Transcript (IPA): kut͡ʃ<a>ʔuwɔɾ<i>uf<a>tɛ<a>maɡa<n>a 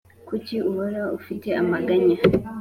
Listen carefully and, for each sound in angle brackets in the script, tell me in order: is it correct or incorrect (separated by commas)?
incorrect, incorrect, incorrect, correct, incorrect